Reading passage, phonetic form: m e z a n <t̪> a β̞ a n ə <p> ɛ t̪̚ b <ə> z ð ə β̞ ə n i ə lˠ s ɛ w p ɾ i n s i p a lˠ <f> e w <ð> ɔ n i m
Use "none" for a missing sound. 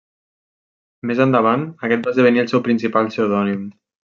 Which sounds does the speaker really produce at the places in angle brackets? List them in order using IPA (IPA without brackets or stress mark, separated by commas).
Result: d̪, k, a, s, ð